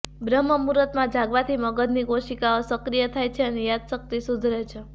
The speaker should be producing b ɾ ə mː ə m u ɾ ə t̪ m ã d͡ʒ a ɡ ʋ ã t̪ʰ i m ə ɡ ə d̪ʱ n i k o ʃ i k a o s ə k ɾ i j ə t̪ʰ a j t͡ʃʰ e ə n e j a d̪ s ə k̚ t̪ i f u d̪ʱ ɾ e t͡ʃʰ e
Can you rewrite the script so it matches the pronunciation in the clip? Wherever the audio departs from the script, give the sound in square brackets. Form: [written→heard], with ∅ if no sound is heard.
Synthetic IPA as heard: b ɾ ə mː ə m u ɾ ə t̪ m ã d͡ʒ a ɡ ʋ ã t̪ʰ i m ə ɡ ə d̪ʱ n i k o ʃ i k a o s ə k ɾ i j ə t̪ʰ a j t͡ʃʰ e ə n e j a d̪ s ə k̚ t̪ i [f→s] u d̪ʱ ɾ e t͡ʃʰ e